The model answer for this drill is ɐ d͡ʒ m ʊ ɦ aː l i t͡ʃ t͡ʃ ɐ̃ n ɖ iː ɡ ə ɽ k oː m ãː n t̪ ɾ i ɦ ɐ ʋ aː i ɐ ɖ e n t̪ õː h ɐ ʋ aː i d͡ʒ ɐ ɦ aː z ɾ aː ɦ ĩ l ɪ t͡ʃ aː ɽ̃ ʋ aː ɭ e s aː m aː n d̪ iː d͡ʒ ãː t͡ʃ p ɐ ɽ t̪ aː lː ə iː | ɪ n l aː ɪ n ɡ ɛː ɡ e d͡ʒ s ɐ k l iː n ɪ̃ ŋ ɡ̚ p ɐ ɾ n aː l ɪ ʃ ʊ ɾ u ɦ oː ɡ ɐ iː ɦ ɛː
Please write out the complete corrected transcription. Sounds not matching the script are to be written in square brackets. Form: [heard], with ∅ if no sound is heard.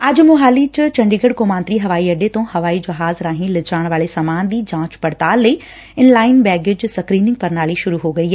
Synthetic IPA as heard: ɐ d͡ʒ m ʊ ɦ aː l i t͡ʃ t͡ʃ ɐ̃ [ɳ] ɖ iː ɡ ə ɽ k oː m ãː n t̪ ɾ i ɦ ɐ ʋ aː i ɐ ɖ e [∅] t̪ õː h ɐ ʋ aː i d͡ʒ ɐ ɦ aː z ɾ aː ɦ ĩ l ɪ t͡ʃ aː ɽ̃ ʋ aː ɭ e s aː m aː n d̪ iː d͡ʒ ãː t͡ʃ p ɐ ɽ t̪ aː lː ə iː | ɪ n l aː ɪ n [b] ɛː ɡ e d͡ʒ s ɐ k [ɾ] iː n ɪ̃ ŋ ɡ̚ p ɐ ɾ n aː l [i] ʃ ʊ ɾ u ɦ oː ɡ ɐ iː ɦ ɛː